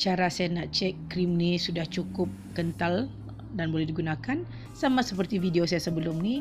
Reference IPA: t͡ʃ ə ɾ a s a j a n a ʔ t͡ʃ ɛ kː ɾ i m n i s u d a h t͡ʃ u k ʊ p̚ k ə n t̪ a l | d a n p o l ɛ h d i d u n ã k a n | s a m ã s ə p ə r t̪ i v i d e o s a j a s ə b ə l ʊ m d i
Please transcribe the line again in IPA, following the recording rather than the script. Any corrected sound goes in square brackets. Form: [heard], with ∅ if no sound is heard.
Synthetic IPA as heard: t͡ʃ [a] ɾ a s a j a n a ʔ t͡ʃ ɛ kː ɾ i m n i s u d a h t͡ʃ u k ʊ p̚ k ə n t̪ a l | d a n [b] o l ɛ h d i [ɡ] u n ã k a n | s a m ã s ə p ə r t̪ i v i d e o s a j a s ə b ə l ʊ m [n] i